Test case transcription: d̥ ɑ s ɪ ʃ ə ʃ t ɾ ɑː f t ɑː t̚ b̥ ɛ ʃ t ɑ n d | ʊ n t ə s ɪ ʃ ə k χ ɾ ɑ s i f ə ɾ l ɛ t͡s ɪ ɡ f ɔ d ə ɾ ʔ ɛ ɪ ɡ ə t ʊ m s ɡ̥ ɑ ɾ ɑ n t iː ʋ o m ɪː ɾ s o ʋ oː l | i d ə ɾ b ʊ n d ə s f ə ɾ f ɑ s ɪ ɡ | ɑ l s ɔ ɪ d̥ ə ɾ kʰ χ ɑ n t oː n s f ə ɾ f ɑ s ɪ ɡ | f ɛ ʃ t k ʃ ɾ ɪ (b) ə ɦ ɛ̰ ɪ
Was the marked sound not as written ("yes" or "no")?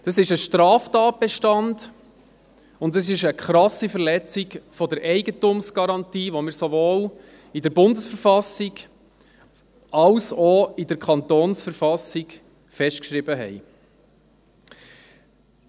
no